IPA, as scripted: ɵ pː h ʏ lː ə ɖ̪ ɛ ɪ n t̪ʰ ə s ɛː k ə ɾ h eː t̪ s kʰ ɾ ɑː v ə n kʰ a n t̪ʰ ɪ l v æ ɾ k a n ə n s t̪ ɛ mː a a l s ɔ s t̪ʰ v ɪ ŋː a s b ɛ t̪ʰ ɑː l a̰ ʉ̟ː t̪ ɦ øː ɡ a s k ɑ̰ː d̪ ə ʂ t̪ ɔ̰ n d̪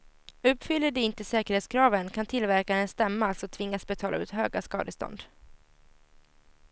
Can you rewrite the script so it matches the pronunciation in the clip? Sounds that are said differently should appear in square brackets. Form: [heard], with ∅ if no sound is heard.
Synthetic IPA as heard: ɵ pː [f] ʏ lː ə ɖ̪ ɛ ɪ n [t̪] ə s ɛː k ə ɾ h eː t̪ s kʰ ɾ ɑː v ə n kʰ a n t̪ʰ ɪ l v æ ɾ k a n ə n s t̪ ɛ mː a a l s ɔ [∅] t̪ʰ v ɪ ŋː a s b ɛ t̪ʰ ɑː l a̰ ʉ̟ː t̪ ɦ øː ɡ a s k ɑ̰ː d̪ ə [s] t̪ ɔ̰ n d̪